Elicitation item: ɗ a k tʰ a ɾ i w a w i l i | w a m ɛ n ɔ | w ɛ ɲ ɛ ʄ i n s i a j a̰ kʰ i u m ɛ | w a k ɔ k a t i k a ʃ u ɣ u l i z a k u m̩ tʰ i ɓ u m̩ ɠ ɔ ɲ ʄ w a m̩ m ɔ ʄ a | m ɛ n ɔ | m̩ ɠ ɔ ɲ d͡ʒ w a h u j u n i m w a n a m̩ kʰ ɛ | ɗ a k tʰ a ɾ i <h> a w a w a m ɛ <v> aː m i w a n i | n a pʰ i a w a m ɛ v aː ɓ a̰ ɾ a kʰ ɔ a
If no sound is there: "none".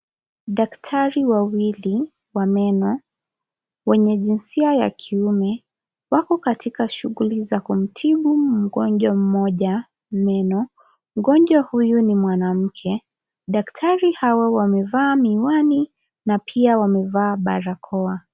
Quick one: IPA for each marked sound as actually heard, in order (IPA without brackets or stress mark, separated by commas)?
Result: h, v